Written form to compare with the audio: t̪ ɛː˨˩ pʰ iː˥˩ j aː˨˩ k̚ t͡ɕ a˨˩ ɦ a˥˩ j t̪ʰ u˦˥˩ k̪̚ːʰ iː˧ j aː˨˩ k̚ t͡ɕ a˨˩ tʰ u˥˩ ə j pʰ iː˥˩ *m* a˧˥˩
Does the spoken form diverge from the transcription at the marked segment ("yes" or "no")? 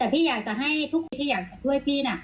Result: yes